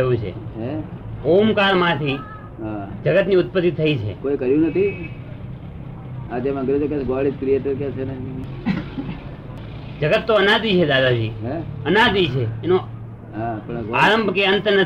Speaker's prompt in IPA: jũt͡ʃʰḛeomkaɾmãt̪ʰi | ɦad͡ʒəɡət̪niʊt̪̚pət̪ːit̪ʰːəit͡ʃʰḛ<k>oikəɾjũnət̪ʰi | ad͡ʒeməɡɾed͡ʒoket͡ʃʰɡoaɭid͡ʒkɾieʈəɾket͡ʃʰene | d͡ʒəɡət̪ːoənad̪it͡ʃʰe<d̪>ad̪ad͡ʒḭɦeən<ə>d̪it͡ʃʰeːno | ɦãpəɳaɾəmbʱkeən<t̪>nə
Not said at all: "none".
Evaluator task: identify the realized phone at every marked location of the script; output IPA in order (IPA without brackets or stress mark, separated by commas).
k, d̪, a, t̪